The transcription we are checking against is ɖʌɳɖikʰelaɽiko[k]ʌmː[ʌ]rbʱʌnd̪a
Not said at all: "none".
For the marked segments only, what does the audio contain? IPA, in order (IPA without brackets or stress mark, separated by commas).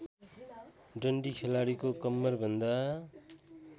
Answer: k, ʌ